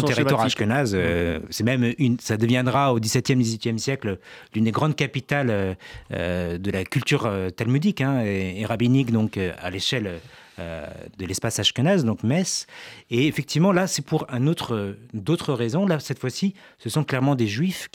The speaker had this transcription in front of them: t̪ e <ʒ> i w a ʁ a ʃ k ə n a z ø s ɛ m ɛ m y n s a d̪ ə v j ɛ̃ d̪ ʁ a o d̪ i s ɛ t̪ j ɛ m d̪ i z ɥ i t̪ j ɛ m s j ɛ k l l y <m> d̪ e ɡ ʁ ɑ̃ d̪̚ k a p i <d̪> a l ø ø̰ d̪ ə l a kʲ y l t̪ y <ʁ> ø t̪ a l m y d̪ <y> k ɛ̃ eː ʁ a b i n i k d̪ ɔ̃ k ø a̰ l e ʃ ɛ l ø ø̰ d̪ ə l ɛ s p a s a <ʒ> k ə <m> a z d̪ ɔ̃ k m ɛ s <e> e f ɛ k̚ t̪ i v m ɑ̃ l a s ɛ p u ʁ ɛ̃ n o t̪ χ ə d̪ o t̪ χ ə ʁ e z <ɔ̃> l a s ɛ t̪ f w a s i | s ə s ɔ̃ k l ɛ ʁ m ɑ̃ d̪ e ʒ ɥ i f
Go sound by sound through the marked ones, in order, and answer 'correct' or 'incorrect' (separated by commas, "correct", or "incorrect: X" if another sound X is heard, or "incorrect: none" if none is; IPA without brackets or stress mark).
incorrect: ʁ, incorrect: n, incorrect: t̪, correct, incorrect: i, incorrect: ʃ, incorrect: n, correct, correct